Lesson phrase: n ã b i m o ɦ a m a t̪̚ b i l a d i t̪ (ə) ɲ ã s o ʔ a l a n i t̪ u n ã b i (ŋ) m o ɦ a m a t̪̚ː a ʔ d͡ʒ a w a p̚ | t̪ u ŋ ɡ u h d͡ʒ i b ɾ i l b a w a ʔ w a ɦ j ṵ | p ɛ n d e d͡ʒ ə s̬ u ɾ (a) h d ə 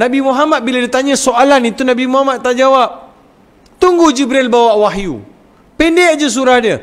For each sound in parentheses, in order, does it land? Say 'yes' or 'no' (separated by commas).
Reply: no, no, yes